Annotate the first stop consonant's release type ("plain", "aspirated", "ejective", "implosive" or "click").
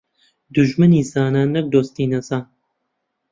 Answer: plain